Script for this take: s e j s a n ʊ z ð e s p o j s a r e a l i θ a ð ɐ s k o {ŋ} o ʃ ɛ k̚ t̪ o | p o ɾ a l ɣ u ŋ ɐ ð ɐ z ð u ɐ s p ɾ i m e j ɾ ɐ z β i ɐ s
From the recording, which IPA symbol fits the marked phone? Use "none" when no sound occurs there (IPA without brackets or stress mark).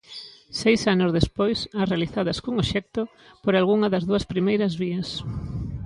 ŋ